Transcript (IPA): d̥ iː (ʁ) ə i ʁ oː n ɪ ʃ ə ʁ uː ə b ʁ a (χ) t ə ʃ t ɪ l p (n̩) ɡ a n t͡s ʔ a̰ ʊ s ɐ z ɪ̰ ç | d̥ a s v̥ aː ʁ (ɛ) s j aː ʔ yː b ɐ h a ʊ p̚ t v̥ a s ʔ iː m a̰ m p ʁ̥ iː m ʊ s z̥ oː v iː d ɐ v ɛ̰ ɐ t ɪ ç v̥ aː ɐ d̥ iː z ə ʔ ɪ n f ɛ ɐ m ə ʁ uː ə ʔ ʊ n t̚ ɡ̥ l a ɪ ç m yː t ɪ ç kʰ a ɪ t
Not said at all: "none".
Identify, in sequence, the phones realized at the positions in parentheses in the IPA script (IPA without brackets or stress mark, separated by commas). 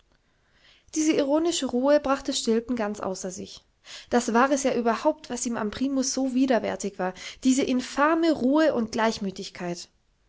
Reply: z, χ, n̩, ɛ